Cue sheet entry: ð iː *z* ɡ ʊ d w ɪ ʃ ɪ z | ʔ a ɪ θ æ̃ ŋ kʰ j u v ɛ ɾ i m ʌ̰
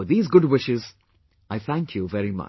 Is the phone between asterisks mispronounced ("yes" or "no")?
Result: no